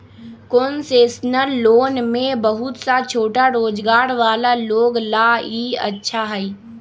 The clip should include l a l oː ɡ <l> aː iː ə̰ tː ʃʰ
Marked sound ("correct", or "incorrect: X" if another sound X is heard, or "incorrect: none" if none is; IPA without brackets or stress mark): correct